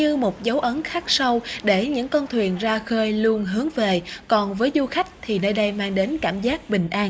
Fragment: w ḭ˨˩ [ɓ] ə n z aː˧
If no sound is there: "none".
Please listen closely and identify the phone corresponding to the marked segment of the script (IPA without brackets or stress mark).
none